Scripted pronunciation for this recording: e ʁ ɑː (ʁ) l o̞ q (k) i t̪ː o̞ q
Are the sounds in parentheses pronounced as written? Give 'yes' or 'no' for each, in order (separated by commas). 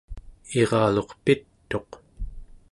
no, no